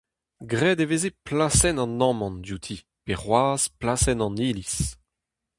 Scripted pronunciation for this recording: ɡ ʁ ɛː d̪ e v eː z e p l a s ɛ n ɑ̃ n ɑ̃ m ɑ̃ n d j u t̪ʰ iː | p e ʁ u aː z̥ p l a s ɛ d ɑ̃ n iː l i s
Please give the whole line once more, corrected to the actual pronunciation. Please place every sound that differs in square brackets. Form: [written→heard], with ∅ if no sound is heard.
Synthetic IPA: ɡ ʁ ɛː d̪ e v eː z e p l a s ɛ n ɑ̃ n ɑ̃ m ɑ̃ n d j u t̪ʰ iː | p e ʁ [u→w] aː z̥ p l a s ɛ [d→n] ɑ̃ n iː l i s